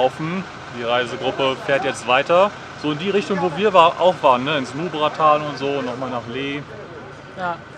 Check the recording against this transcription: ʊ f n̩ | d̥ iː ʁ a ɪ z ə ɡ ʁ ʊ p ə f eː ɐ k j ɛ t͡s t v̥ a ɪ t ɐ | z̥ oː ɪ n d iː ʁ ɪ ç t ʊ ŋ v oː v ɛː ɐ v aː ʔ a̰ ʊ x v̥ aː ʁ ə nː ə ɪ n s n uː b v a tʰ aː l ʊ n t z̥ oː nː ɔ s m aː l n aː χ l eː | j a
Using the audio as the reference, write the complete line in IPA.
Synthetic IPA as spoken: ʊ f n̩ | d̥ iː ʁ a ɪ z ə ɡ ʁ ʊ p ə f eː ɐ t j ɛ t͡s t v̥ a ɪ t ɐ | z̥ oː ɪ n d iː ʁ ɪ ç t ʊ ŋ v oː v iː ɐ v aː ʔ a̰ ʊ x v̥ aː ʁ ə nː ə ɪ n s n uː b ʁ a tʰ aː l ʊ n t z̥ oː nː ɔ χ m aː l n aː χ l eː | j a

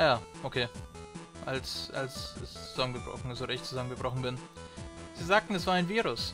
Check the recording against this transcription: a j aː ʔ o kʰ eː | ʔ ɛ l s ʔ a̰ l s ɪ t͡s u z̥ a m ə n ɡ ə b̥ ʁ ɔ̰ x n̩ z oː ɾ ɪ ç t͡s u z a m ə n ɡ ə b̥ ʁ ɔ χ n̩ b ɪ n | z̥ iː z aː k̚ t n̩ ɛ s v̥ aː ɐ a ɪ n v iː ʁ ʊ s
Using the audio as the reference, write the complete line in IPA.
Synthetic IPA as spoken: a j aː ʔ o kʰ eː | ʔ a l s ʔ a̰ l s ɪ t͡s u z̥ a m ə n ɡ ə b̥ ʁ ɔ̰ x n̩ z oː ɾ ɪ ç t͡s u z a m ə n ɡ ə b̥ ʁ ɔ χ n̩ b ɪ n | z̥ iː z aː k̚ t n̩ ɛ s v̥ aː ɐ a ɪ n v iː ʁ ʊ s

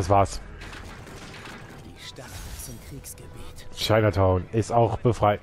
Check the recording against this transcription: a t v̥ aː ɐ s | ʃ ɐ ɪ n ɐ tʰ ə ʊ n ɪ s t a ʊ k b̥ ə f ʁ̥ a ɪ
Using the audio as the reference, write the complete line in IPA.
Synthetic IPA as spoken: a s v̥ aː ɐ s | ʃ a ɪ n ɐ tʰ a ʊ n ɪ s t a ʊ x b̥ ə f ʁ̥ a ɪ

